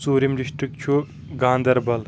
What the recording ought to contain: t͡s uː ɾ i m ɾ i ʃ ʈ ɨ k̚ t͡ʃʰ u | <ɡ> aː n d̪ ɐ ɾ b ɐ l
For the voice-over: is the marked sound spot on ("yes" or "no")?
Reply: yes